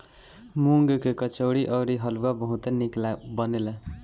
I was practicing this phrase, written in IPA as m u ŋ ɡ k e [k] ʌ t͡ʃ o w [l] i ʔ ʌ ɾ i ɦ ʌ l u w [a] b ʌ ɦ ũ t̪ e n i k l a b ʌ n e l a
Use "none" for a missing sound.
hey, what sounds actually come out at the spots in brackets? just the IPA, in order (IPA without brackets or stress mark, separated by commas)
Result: k, ɽ, a